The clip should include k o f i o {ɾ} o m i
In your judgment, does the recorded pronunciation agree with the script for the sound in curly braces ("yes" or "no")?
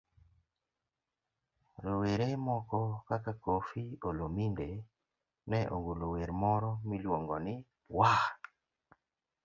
no